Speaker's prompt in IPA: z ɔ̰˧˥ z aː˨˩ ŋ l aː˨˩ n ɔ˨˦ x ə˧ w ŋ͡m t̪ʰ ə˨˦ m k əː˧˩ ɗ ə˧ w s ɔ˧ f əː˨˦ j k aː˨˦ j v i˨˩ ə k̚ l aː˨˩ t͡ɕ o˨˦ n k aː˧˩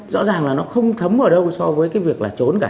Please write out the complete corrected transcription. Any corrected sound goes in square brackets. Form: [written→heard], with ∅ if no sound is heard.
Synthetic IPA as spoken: z ɔ̰˧˥ z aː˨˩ ŋ l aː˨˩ n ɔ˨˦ x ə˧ w ŋ͡m t̪ʰ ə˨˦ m [k→ʔ] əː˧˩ ɗ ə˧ w s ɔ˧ [f→v] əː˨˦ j k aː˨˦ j v i˨˩ ə k̚ l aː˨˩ t͡ɕ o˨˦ n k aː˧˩